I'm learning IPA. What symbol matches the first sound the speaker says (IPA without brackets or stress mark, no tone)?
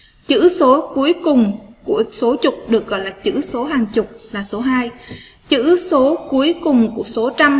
t͡ɕ